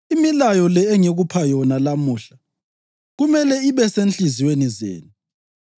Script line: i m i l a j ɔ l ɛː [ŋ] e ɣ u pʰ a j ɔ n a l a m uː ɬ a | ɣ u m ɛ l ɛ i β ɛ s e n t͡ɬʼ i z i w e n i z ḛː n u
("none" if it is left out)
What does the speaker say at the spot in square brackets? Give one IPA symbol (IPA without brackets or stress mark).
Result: ŋ